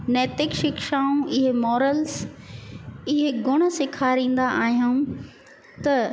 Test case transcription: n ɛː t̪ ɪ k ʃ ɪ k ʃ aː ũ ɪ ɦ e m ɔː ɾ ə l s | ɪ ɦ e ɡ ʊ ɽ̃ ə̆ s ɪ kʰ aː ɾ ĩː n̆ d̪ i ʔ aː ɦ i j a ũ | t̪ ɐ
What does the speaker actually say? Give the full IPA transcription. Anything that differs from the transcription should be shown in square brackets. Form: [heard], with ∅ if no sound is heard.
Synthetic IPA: n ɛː t̪ ɪ k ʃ ɪ k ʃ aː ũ ɪ ɦ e m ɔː ɾ ə l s | ɪ ɦ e ɡ ʊ ɽ̃ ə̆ s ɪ kʰ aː ɾ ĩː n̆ d̪ [a] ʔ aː ɦ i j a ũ | t̪ ɐ